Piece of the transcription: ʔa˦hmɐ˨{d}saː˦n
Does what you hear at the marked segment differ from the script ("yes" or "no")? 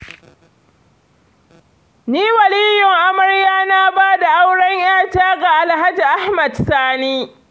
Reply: no